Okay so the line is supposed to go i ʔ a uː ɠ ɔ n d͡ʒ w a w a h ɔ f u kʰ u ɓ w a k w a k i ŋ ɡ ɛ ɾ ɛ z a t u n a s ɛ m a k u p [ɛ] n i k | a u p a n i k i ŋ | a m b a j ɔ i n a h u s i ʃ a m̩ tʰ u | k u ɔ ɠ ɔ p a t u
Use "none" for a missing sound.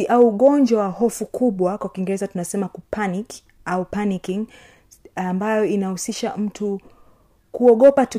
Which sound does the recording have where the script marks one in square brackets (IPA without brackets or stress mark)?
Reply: a